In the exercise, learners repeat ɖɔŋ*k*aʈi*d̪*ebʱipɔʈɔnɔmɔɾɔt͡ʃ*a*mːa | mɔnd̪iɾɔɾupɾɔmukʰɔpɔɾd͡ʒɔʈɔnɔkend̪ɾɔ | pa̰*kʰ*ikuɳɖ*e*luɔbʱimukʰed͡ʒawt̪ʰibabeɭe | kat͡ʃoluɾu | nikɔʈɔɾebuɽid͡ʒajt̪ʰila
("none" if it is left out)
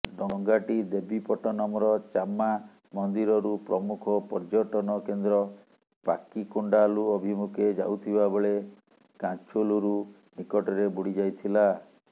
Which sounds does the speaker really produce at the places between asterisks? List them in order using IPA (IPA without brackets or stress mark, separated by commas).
ɡ, d̪, a, k, a